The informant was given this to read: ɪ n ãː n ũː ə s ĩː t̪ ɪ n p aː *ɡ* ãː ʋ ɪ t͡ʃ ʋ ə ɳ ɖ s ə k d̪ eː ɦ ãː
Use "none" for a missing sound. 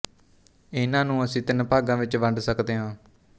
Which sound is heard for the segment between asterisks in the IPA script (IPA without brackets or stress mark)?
ɡ